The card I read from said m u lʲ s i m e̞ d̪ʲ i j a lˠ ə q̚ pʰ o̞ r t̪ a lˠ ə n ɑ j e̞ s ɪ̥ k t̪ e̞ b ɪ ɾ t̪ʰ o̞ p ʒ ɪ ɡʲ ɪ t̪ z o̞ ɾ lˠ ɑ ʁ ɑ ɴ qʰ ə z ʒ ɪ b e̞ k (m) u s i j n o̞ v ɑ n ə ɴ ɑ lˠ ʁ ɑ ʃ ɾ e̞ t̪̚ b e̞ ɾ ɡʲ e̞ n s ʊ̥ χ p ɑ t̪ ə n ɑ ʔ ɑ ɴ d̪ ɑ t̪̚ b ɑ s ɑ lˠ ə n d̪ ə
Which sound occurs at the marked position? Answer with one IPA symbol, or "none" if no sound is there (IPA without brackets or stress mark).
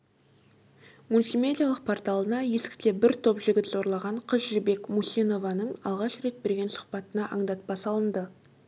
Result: m